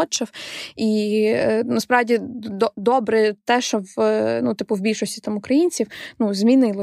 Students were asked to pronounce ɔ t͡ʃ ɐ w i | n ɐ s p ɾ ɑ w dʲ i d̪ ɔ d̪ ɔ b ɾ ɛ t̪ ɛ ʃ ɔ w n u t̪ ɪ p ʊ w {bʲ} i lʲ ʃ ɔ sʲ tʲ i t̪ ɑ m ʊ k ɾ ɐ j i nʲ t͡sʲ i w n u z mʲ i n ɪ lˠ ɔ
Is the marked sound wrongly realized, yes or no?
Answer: no